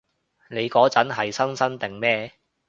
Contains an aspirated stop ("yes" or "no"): no